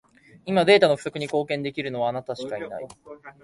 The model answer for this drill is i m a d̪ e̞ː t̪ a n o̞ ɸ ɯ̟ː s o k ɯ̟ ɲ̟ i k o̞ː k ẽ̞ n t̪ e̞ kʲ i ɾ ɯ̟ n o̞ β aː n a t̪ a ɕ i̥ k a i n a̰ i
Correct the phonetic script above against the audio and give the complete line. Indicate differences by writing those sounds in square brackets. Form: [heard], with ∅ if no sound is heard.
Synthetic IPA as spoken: i m a d̪ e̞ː t̪ a n o̞ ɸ [ɯ̟] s o k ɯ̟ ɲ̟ i k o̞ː k ẽ̞ n [d̪] e̞ kʲ i ɾ ɯ̟ n o̞ β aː n a t̪ a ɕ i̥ k a i n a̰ i